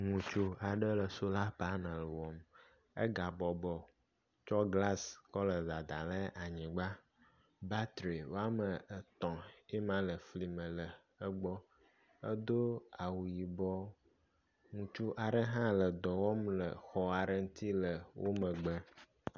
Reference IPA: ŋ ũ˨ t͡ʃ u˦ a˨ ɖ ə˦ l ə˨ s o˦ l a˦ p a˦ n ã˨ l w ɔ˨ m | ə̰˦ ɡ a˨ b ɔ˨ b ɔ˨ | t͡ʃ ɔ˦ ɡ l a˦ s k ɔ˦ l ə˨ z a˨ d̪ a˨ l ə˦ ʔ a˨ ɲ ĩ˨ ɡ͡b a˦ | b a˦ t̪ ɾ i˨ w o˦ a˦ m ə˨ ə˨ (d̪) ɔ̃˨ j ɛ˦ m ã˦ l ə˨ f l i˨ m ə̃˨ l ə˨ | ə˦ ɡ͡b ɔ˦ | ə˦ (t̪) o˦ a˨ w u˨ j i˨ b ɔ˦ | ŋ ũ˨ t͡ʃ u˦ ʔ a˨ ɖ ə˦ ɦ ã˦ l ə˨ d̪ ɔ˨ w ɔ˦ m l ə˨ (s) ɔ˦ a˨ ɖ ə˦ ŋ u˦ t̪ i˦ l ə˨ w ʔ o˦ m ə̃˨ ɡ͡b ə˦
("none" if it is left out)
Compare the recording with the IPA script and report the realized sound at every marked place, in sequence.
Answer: t̪, d̪, x

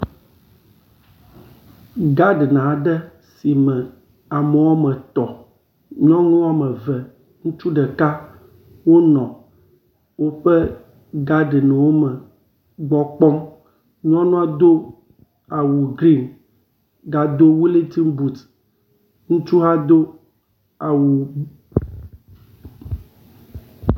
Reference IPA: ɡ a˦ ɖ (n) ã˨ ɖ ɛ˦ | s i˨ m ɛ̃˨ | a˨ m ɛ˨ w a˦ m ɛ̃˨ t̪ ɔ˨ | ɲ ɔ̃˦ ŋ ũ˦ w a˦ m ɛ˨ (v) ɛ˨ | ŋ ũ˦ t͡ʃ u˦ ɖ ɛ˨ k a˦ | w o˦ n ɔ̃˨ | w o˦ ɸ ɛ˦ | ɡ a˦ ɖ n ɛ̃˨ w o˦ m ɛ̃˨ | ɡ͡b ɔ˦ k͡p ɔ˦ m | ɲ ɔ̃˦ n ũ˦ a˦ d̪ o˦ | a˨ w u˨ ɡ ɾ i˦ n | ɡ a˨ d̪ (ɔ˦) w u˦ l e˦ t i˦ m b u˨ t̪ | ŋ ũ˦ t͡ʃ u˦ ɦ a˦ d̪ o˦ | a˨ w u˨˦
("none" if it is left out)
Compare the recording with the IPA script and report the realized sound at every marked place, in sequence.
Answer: n, v, o˦

